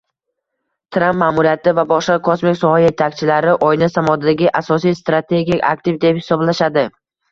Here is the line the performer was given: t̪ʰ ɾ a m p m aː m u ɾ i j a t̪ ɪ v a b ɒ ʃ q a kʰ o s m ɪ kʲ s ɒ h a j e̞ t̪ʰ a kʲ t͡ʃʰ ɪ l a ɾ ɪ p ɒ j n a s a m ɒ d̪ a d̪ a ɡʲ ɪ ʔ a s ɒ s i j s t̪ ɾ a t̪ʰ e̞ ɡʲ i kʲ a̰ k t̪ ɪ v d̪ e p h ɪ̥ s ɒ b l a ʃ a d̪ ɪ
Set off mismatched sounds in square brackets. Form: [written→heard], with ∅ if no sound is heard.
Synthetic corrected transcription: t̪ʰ ɾ a m p m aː m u ɾ i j a t̪ ɪ v a b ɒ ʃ q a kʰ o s m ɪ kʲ s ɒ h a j e̞ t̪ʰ a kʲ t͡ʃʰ ɪ l a ɾ ɪ [p→ʔ] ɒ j n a s a m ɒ d̪ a d̪ a ɡʲ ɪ ʔ a s ɒ s i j s t̪ ɾ a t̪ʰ e̞ ɡʲ i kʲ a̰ k t̪ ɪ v d̪ e p h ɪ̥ s ɒ b l a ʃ a d̪ ɪ